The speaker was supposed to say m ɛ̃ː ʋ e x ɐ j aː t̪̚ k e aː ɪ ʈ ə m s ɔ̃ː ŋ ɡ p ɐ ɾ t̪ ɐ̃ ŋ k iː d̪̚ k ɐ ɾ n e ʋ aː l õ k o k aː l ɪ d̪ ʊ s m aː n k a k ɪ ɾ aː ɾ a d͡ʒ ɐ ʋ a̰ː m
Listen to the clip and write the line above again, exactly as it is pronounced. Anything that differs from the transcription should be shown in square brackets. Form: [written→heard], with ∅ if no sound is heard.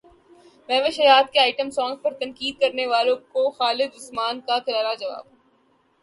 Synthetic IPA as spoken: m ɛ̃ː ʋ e [x→ʃ] ɐ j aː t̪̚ k e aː ɪ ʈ ə m s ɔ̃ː ŋ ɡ p ɐ ɾ t̪ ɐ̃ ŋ k iː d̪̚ k ɐ ɾ n e ʋ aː l õ k o [k→x] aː l ɪ d̪ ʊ s m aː n k a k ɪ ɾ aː ɾ a d͡ʒ ɐ ʋ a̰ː [m→b]